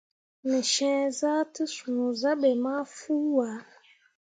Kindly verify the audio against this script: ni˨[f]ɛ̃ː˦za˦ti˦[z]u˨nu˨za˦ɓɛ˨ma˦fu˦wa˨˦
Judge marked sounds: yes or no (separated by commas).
no, no